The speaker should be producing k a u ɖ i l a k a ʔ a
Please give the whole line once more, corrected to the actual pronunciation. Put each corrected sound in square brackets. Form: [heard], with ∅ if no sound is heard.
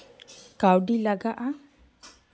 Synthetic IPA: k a [w] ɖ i l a [ɡ] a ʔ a